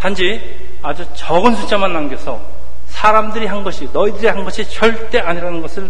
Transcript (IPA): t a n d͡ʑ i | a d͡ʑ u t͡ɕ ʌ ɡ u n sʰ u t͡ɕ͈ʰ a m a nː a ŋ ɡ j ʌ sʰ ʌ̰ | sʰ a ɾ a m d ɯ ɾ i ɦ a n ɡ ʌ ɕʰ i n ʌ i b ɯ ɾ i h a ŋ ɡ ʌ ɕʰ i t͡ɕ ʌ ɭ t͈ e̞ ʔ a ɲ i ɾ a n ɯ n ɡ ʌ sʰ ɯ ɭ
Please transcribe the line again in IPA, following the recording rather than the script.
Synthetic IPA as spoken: t a n d͡ʑ i | a d͡ʑ u t͡ɕ ʌ ɡ ɯ n sʰ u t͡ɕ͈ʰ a m a nː a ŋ ɡ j ʌ sʰ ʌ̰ | sʰ a ɾ a m d ɯ ɾ i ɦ a n ɡ ʌ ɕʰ i n ʌ i d ɯ ɾ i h a n ɡ ʌ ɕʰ i t͡ɕ ʌ ɭ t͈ e̞ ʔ a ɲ i ɾ a n ɯ n ɡ ʌ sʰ ɯ ɭ